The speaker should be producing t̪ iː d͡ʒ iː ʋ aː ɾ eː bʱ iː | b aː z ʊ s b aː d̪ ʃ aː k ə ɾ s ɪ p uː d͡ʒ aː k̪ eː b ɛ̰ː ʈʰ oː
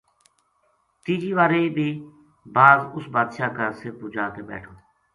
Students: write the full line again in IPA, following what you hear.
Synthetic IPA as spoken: t̪ iː d͡ʒ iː ʋ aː ɾ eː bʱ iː | b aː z ʊ s b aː d̪ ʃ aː k ə ɾ s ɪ p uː d͡ʒ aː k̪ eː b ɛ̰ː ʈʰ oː